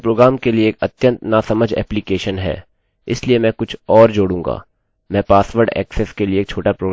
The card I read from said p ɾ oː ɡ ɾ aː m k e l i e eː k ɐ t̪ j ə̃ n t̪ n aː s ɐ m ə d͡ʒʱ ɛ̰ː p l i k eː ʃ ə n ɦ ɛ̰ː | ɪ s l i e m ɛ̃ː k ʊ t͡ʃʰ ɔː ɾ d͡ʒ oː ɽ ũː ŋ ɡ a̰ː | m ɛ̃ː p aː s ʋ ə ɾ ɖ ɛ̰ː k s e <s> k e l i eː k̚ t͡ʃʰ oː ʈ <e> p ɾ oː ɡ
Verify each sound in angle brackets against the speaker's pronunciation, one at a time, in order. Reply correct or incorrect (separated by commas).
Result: correct, incorrect